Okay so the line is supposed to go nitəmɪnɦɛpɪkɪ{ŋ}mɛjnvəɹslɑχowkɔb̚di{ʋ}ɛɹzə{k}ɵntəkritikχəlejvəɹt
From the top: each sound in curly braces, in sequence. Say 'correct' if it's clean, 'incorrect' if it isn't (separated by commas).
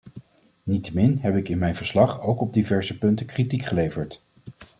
incorrect, incorrect, incorrect